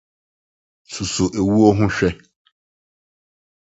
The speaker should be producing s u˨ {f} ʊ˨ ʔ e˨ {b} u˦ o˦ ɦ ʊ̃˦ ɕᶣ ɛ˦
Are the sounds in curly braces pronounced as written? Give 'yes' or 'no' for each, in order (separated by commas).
no, no